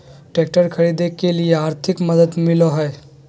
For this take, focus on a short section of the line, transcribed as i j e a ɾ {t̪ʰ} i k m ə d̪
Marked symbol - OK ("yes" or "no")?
yes